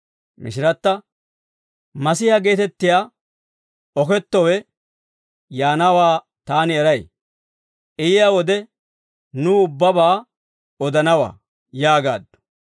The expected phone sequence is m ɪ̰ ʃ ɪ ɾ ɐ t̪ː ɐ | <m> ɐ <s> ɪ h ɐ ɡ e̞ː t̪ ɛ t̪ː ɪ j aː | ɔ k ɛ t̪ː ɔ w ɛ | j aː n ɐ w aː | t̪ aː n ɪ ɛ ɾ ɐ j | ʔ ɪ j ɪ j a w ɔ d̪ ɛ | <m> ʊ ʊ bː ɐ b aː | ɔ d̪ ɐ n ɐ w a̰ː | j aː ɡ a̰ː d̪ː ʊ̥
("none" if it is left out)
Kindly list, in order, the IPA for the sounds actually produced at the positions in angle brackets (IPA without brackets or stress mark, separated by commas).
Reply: m, s, n